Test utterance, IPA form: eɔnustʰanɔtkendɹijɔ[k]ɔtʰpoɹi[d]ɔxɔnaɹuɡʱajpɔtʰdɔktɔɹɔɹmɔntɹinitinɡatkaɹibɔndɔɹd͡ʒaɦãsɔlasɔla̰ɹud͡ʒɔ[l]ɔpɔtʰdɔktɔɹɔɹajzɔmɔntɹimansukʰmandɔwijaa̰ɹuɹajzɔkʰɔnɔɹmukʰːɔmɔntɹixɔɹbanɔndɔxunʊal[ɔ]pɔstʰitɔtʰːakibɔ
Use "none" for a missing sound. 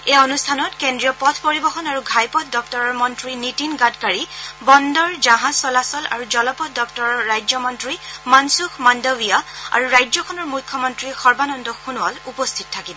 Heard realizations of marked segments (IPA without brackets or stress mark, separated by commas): p, b, l, u